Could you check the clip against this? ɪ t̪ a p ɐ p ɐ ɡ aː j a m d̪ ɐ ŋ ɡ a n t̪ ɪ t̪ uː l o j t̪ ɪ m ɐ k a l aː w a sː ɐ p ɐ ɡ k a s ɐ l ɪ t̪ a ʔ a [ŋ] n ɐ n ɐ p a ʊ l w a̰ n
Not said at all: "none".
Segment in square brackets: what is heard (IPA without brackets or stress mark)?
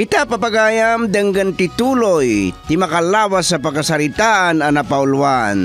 none